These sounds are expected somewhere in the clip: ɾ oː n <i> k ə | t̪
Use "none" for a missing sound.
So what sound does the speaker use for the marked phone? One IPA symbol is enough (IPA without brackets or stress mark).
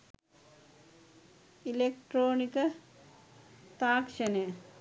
i